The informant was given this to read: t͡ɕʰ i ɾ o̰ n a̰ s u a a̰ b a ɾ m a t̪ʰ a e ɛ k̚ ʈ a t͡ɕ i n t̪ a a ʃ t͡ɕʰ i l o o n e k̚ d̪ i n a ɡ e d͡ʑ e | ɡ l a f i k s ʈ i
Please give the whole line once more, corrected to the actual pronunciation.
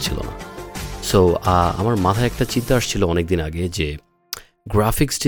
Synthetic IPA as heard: t͡ɕʰ i l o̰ n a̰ s o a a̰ m a ɾ m a t̪ʰ a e ɛ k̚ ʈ a t͡ɕ i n t̪ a a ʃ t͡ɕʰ i l o ɔ n e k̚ d̪ i n a ɡ e d͡ʑ e | ɡ ɾ a f i k s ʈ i